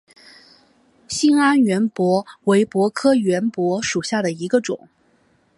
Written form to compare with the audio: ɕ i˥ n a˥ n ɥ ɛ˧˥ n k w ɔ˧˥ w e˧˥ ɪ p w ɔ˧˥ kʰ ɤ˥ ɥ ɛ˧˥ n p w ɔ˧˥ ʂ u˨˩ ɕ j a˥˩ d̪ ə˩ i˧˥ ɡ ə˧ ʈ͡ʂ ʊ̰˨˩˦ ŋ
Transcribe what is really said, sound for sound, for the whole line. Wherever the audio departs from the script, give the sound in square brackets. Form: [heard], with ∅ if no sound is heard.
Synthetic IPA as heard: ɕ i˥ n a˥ n ɥ ɛ˧˥ n [p] w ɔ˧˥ w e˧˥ ɪ p w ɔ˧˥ kʰ ɤ˥ ɥ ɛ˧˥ n p w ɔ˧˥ ʂ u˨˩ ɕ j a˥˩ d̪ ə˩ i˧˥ ɡ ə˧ ʈ͡ʂ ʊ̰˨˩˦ ŋ